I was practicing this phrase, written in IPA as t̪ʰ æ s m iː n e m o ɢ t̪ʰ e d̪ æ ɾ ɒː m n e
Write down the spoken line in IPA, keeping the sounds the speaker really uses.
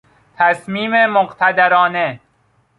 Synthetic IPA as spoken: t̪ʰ æ s m iː m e m o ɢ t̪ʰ æ d̪ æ ɾ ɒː n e